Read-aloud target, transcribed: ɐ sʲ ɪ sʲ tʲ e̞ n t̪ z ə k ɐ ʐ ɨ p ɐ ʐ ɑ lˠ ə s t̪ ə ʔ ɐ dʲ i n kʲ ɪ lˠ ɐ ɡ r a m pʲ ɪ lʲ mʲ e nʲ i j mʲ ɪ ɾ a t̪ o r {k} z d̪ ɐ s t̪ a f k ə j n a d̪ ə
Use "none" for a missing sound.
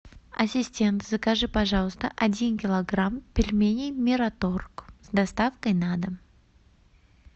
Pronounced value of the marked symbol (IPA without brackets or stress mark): k